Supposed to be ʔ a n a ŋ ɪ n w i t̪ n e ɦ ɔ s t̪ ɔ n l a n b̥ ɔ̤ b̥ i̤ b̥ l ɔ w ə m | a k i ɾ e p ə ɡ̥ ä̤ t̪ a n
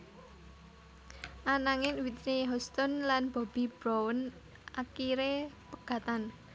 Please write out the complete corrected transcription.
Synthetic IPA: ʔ a n a ŋ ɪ n w i t̪ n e ɦ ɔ s t̪ ɔ n l a n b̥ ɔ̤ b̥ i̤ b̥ ɾ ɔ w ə n | a k i ɾ e p ə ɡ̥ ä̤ t̪ a n